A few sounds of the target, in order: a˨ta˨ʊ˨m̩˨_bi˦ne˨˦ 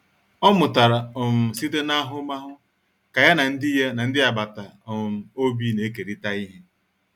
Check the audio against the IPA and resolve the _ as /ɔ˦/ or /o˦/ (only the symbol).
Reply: o˦